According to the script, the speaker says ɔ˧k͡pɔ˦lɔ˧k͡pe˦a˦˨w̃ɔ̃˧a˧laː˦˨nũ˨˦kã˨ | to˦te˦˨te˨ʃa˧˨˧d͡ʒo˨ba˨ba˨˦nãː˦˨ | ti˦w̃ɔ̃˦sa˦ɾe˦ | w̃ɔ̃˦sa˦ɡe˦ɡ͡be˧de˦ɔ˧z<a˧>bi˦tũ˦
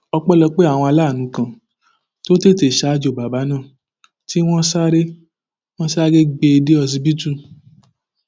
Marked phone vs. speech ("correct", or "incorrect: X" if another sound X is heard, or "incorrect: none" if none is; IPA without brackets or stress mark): incorrect: i˧